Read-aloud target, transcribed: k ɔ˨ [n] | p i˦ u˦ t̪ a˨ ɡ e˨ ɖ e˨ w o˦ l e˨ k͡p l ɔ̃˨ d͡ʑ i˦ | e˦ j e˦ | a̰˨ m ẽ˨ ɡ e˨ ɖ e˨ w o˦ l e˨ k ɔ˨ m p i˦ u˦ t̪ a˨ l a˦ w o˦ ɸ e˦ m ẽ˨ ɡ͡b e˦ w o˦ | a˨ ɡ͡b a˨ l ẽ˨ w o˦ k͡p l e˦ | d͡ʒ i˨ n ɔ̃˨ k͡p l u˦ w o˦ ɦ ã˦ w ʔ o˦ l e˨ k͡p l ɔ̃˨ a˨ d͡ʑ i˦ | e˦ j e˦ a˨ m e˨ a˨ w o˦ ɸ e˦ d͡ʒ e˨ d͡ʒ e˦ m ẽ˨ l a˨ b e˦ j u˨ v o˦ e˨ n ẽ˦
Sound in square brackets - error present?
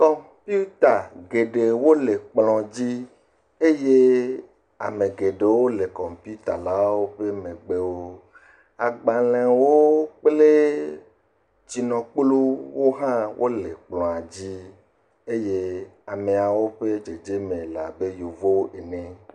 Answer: yes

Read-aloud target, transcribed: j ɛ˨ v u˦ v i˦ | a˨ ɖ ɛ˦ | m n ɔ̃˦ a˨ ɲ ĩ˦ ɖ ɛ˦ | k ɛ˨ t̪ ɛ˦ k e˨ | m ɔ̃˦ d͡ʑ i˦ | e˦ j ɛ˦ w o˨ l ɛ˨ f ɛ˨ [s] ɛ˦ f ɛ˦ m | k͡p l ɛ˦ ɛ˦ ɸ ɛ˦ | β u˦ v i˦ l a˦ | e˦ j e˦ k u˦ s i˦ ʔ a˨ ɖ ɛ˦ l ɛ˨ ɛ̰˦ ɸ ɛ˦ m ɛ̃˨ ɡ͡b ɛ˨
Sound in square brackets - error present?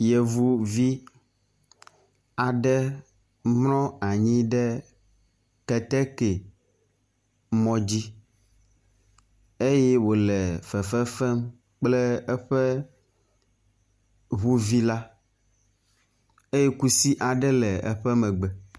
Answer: yes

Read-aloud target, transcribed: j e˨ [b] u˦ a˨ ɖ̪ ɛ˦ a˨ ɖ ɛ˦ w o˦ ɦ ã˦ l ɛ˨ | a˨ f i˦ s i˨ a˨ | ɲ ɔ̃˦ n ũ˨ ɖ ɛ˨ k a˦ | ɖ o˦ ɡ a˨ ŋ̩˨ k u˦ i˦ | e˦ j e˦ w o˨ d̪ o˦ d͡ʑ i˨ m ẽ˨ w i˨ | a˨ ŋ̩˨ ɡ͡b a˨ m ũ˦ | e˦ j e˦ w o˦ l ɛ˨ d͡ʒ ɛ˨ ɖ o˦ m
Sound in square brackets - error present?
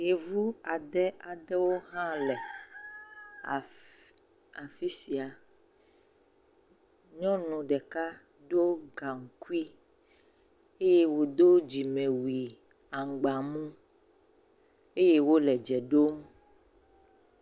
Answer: yes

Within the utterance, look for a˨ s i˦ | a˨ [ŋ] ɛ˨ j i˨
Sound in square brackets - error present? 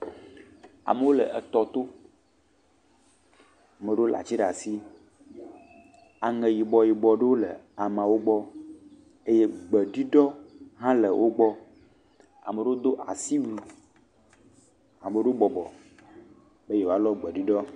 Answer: no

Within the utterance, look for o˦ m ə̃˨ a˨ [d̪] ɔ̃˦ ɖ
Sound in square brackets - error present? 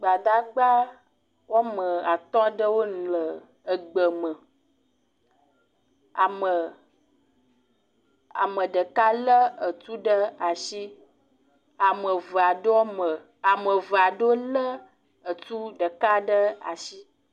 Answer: yes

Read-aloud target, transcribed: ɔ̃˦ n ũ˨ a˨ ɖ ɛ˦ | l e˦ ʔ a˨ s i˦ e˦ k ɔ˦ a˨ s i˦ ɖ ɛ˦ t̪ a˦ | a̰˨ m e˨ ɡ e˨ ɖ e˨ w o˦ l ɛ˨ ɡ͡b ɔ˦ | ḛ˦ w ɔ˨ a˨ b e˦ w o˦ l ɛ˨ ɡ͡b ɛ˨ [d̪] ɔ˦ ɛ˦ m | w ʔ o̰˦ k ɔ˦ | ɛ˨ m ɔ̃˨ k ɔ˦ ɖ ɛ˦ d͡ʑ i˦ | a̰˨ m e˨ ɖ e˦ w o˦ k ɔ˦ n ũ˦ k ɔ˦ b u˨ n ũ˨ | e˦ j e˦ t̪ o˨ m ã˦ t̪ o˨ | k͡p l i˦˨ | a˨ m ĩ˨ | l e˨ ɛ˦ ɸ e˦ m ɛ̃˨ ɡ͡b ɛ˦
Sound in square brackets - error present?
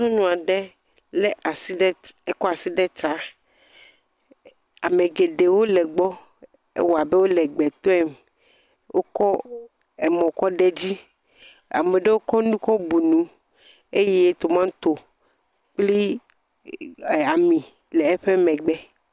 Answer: yes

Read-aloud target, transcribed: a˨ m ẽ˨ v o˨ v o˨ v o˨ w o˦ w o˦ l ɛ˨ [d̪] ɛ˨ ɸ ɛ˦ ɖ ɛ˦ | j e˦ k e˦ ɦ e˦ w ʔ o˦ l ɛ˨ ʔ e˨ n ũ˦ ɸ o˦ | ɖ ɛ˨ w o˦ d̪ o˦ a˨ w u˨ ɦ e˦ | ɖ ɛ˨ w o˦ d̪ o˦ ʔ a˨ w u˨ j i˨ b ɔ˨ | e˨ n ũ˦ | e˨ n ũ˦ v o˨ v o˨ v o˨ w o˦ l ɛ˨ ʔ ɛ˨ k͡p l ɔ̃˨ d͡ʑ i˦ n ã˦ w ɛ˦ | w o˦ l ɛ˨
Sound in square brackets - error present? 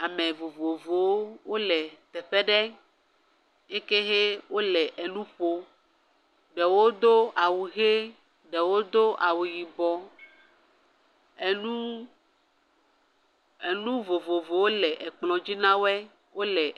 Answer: yes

